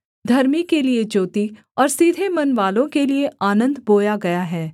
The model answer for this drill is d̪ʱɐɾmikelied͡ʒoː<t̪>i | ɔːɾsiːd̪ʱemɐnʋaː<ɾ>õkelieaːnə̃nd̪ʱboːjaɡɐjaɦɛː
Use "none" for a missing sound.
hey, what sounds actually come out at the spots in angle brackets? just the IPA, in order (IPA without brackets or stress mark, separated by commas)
t̪, l